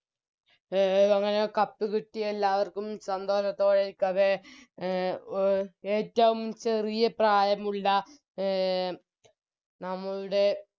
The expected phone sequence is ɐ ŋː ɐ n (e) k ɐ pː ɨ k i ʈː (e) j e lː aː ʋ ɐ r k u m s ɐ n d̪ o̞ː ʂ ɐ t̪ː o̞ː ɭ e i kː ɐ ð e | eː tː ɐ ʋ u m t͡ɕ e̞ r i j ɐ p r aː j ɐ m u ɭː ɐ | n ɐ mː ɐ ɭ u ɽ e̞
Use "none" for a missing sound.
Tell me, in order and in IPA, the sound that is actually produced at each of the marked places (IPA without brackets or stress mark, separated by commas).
e, i